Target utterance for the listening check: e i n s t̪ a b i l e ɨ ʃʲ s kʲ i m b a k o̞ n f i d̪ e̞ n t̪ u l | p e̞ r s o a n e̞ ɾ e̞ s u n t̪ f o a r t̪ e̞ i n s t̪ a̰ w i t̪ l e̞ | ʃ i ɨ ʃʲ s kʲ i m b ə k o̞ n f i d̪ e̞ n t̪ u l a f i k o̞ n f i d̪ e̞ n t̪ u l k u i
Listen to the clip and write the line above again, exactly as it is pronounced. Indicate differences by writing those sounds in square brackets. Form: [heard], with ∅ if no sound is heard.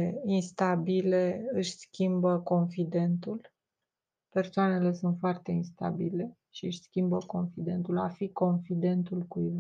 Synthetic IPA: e i n s t̪ a b i l e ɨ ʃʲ s kʲ i m b [ə] k o̞ n f i d̪ e̞ n t̪ u l | p e̞ r s o a n e̞ [l] e̞ s u n t̪ f o a r t̪ e̞ i n s t̪ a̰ [b] i [∅] l e̞ | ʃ i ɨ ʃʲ s kʲ i m b ə k o̞ n f i d̪ e̞ n t̪ u l a f i k o̞ n f i d̪ e̞ n t̪ u l k u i